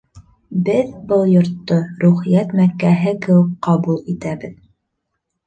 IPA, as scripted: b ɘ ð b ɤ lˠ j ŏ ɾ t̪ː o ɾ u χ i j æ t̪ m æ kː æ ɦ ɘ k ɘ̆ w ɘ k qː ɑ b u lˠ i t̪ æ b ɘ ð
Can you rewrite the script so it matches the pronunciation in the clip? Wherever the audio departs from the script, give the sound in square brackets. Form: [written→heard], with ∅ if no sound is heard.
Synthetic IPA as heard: b ɘ ð b ɤ lˠ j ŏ ɾ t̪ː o ɾ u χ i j æ t̪ m æ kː æ ɦ ɘ k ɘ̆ w ɘ k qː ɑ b u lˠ i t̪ æ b ɘ ð